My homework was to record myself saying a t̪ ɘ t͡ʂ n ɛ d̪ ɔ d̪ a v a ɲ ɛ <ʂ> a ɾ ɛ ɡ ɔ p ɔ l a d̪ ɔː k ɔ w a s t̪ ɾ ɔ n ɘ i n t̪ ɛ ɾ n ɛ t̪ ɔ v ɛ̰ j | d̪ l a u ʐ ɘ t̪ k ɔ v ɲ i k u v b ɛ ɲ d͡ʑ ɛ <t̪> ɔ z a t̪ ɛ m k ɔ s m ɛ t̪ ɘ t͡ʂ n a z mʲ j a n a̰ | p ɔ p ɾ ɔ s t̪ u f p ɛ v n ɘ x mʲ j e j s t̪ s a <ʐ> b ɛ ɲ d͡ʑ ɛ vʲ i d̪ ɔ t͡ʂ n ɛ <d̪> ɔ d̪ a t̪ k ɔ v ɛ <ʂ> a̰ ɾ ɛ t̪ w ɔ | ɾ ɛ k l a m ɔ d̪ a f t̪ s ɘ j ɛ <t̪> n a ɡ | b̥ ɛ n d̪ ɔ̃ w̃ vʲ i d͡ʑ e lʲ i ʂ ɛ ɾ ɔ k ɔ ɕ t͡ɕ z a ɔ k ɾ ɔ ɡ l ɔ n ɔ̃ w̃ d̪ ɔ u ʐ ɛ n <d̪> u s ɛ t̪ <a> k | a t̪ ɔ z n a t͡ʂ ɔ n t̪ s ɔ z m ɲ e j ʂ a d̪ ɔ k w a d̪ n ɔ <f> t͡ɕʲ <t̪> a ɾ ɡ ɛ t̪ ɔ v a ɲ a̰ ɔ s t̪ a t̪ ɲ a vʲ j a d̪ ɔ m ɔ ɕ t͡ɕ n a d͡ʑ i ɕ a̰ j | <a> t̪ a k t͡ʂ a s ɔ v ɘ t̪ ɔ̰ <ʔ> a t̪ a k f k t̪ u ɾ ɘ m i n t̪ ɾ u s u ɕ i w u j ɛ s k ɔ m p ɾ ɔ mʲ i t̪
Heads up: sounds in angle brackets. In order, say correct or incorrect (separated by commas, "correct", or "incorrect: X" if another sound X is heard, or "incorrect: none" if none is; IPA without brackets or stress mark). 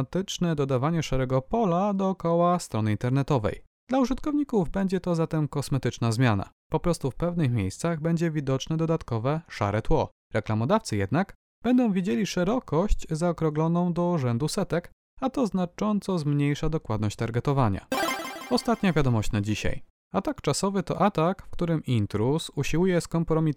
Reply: correct, correct, incorrect: ɣ, correct, correct, incorrect: d̪, correct, incorrect: ɛ, incorrect: ɕ, correct, correct, correct